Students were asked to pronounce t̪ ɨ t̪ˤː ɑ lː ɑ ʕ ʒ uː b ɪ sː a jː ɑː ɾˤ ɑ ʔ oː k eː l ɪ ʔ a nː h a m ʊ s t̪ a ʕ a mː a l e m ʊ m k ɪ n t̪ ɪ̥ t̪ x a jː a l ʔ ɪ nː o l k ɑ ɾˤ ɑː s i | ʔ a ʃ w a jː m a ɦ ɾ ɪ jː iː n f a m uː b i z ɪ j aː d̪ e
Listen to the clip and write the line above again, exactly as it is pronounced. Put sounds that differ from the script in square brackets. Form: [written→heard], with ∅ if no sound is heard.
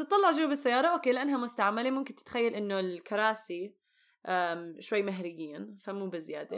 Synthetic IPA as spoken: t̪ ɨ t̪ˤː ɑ lː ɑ ʕ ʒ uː b ɪ sː a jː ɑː ɾˤ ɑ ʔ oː k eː l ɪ ʔ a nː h a m ʊ s t̪ a ʕ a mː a l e m ʊ m k ɪ n t̪ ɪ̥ t̪ x a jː a l ʔ ɪ nː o l k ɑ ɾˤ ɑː s i | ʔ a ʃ w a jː m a ɦ ɾ ɪ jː iː n f a m uː b [i→ɪ] z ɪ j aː d̪ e